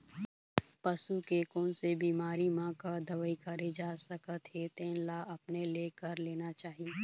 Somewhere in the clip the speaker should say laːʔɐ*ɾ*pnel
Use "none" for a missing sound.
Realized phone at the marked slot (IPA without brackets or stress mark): none